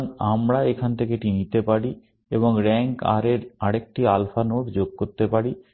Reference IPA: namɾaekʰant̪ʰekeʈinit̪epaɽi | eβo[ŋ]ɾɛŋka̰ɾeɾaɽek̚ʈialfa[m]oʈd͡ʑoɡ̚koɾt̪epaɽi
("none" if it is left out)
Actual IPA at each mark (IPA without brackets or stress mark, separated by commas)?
ŋ, n